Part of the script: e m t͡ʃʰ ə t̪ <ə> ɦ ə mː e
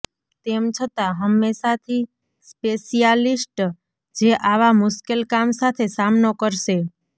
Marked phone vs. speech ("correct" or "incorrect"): incorrect